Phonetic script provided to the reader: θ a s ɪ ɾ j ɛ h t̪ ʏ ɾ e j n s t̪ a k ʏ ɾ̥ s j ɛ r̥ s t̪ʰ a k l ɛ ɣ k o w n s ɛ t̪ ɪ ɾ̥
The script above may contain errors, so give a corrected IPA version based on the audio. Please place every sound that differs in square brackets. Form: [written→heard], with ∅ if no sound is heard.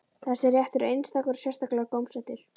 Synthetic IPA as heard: θ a s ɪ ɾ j ɛ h t̪ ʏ ɾ e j n s t̪ a k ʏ ɾ̥ s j ɛ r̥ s [t̪ʰ→t̪] a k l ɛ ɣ k o w [n→m] s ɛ t̪ ɪ ɾ̥